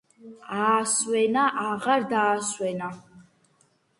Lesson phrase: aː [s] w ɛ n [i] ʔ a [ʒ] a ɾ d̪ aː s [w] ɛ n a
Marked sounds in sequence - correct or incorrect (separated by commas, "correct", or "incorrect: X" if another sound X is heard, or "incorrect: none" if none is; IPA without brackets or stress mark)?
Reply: correct, incorrect: a, incorrect: ʁ, correct